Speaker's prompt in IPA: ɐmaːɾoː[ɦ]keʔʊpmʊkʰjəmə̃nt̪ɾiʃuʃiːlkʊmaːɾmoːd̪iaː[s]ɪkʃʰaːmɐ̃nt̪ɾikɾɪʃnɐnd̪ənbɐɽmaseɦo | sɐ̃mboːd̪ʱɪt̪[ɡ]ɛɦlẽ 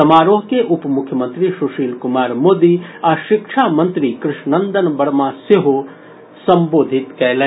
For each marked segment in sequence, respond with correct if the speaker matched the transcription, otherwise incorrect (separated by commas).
correct, incorrect, incorrect